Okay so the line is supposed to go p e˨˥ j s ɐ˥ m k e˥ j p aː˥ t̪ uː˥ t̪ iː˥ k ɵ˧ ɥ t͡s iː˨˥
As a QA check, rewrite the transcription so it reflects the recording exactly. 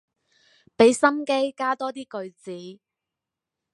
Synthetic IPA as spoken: p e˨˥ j s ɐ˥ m k e˥ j k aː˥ t̪ ɔː˥ t̪ iː˥ k ɵ˧ ɥ t͡s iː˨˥